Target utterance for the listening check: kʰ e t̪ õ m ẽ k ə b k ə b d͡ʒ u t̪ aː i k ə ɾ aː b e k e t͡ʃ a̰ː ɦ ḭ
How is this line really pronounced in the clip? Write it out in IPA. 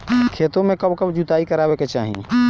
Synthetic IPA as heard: kʰ e t̪ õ m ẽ k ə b k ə b d͡ʒ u t̪ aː i k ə ɾ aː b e k e t͡ʃ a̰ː ɦ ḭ